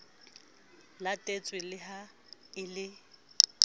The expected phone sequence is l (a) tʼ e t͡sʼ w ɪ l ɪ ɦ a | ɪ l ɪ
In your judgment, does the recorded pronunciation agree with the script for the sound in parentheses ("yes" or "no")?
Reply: yes